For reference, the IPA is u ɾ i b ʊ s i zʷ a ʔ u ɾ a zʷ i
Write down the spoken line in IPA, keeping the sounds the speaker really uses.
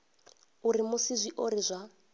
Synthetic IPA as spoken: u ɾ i m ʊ s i zʷ i ʔ o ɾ i zʷ a